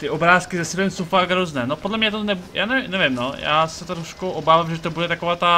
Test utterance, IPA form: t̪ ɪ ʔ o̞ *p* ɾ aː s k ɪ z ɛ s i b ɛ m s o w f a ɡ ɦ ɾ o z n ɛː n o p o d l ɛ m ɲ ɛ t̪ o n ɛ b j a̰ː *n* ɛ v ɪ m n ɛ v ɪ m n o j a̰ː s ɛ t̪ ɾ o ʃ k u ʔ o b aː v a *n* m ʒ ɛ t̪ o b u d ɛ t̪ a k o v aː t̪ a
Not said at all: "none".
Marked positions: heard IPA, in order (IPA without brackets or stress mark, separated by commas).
b, n, none